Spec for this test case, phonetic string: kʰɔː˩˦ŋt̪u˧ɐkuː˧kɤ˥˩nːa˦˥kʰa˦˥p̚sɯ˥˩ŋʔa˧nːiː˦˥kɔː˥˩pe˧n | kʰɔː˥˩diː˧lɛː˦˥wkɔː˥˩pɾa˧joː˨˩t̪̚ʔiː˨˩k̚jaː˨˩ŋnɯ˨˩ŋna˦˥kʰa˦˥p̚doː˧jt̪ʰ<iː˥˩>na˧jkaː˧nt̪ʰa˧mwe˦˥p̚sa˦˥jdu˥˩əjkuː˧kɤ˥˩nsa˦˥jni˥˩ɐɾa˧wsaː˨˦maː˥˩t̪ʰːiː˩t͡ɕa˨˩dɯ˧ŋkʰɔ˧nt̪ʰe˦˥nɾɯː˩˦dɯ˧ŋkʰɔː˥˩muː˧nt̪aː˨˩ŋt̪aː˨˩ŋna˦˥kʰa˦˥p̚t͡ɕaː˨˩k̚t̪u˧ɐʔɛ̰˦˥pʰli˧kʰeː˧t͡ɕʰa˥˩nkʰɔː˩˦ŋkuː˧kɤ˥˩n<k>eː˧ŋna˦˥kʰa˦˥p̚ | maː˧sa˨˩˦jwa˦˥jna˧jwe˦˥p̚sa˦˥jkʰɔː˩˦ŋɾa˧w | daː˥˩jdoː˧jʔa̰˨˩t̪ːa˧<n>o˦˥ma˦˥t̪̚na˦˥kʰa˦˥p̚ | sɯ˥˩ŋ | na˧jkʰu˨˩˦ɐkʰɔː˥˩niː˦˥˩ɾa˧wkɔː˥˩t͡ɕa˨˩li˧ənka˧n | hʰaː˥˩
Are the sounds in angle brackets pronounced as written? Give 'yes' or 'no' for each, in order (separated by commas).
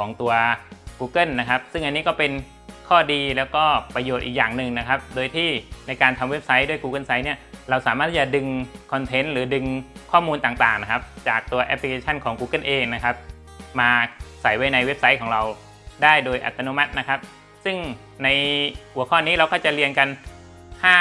yes, no, yes